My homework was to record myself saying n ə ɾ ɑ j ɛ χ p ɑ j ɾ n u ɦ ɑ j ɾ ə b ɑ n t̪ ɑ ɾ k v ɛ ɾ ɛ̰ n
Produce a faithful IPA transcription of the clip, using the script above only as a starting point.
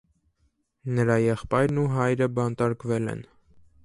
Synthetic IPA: n ə ɾ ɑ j ɛ χ p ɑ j ɾ n u ɦ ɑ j ɾ ə b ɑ n t̪ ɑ ɾ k v ɛ l ɛ̰ n